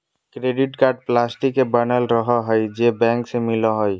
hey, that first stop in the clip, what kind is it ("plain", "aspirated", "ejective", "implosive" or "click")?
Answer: plain